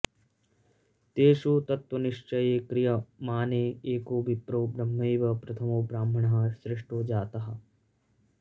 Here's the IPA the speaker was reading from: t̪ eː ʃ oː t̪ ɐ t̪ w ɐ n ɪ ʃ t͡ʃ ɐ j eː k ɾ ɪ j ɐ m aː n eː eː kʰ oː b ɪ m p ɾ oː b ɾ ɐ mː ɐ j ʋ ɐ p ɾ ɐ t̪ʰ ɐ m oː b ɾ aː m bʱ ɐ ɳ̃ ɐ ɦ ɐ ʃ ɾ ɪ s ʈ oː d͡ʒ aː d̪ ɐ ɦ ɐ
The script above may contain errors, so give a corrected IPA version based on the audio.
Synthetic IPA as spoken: t̪ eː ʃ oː t̪ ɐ t̪ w ɐ n ɪ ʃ t͡ʃ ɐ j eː k ɾ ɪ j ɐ m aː n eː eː k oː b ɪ p ɾ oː b ɾ ɐ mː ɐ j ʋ ɐ p ɾ ɐ t̪ʰ ɐ m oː b ɾ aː m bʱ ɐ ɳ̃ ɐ ɦ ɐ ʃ ɾ ɪ ʂ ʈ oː d͡ʒ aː t̪ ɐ ɦ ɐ